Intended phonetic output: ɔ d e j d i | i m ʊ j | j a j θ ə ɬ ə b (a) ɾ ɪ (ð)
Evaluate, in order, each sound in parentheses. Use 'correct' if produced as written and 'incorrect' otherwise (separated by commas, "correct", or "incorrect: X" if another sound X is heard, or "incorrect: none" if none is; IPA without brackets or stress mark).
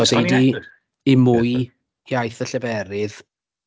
incorrect: ɛ, correct